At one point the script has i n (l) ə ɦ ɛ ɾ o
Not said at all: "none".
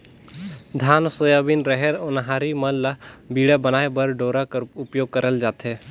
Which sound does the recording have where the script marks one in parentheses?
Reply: ɾ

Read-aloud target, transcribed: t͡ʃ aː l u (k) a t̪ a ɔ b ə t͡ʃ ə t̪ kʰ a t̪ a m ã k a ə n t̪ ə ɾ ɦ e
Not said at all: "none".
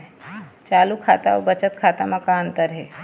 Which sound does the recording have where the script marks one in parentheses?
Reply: kʰ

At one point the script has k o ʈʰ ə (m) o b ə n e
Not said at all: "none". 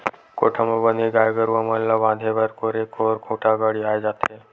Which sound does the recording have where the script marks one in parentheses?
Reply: m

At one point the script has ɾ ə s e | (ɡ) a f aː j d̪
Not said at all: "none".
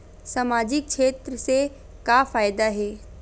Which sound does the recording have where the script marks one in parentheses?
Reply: k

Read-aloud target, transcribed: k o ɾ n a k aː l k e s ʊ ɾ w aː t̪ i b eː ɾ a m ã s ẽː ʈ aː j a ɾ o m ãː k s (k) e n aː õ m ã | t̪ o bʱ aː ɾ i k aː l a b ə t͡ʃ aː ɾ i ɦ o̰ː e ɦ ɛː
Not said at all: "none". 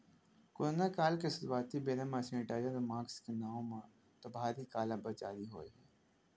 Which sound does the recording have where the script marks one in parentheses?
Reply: k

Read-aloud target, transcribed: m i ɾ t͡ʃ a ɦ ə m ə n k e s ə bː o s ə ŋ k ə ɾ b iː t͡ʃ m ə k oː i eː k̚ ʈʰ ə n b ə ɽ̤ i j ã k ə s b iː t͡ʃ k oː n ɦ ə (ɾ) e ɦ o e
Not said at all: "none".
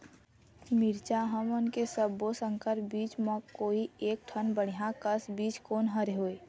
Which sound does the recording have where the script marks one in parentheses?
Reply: ɾ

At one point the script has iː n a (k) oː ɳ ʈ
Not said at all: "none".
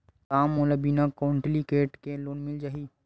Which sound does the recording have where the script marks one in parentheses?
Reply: k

